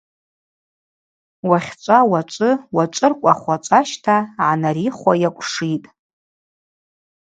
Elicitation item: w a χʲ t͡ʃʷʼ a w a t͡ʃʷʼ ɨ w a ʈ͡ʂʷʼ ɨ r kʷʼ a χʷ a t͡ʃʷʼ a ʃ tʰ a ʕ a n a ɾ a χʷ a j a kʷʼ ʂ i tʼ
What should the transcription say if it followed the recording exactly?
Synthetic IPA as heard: w a χʲ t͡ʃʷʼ a w a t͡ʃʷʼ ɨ w a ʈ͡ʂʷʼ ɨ r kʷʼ a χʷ a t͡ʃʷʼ a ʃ tʰ a ʕ a n a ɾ i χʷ a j a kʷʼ ʂ i tʼ